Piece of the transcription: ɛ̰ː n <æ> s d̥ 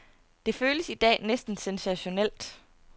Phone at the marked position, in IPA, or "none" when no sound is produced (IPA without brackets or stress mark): e